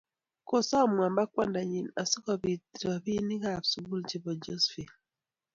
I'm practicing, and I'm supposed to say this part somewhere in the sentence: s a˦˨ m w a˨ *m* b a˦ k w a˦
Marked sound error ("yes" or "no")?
no